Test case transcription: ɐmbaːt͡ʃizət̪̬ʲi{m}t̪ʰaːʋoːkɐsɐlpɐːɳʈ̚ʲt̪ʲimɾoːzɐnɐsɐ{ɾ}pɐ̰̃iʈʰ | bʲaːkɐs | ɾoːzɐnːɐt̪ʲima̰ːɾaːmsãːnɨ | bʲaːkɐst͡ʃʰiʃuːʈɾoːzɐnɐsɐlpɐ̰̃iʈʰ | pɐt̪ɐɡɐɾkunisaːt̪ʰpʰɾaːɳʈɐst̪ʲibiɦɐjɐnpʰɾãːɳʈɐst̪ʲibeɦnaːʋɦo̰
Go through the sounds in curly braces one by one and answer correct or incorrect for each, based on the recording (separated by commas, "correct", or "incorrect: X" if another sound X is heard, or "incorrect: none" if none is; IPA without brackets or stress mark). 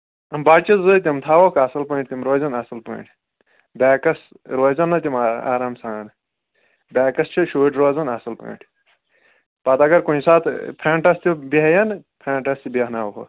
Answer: correct, incorrect: l